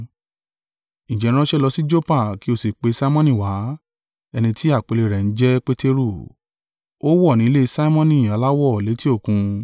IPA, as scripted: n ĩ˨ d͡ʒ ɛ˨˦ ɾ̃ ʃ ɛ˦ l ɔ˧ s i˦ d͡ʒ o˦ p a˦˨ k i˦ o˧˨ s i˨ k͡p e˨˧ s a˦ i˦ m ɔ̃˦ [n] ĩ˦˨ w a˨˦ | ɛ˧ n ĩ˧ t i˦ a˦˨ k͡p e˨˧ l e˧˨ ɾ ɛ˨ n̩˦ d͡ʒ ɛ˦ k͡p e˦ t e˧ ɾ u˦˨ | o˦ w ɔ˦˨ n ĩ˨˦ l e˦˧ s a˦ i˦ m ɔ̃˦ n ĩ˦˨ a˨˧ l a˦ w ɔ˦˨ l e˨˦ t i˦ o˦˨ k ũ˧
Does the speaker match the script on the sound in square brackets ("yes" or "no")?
yes